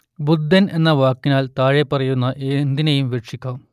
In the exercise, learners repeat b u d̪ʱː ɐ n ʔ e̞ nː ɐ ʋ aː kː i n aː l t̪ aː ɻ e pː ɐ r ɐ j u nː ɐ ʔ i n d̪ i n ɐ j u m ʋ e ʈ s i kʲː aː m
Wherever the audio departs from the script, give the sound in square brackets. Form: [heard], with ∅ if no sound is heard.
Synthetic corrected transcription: b u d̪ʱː ɐ n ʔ e̞ nː ɐ ʋ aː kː i n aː l t̪ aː ɻ e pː ɐ r ɐ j u nː ɐ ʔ [e] n d̪ i n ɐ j u m ʋ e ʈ [ʂ] i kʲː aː m